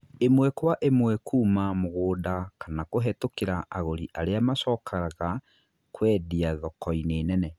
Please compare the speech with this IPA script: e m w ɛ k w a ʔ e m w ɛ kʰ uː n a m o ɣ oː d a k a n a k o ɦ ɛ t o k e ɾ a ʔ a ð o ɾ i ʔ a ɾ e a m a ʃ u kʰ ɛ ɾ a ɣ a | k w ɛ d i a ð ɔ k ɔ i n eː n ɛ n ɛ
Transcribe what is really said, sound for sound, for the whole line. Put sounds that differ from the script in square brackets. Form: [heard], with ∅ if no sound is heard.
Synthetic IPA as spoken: e m w ɛ k w a ʔ e m w ɛ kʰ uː [m] a m o ɣ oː d a k a n a k o ɦ ɛ t o k e ɾ a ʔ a [ɣ] o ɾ i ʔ a ɾ e a m a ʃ [ɔ] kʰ [a] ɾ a ɣ a | k w ɛ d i a ð ɔ k ɔ i n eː n ɛ n ɛ